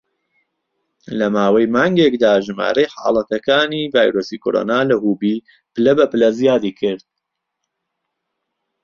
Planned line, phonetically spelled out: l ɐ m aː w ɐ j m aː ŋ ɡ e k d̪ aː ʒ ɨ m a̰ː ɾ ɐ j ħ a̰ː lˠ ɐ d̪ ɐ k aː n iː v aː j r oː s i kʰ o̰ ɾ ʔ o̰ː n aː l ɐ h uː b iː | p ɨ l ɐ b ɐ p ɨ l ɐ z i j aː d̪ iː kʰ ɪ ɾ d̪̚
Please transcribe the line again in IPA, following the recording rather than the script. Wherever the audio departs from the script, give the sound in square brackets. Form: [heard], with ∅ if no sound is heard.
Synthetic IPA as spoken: l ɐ m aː w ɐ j m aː ŋ ɡ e k d̪ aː ʒ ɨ m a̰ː ɾ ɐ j ħ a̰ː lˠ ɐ [t̪] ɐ k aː n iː v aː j [ɾ] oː s i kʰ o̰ ɾ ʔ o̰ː n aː l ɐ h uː b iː | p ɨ l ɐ b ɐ p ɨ l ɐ z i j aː d̪ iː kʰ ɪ ɾ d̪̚